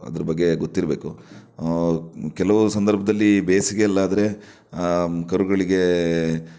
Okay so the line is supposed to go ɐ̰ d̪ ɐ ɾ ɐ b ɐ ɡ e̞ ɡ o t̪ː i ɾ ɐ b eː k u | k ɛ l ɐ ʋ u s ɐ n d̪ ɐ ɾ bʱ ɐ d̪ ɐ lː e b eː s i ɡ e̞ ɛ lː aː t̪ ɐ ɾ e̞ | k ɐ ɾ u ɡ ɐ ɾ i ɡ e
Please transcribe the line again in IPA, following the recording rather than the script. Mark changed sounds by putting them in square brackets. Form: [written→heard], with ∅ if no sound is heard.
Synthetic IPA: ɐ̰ d̪ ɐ ɾ ɐ b ɐ [ɡ→ɡː] e̞ ɡ o t̪ː i ɾ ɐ b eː k u | k ɛ l ɐ ʋ u s ɐ n d̪ ɐ ɾ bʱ ɐ d̪ ɐ lː [e→i] b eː s i ɡ e̞ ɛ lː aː [t̪→d̪] ɐ ɾ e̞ | k ɐ ɾ u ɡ ɐ [ɾ→ɭ] i ɡ e